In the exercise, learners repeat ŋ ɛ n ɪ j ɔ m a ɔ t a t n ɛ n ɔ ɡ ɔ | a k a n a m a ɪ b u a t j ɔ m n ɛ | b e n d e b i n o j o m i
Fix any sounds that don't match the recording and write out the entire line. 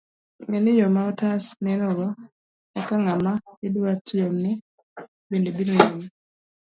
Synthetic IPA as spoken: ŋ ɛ n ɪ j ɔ m a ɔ t a s n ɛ n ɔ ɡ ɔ | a k a ŋ a m a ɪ d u a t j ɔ m n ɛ | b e n d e b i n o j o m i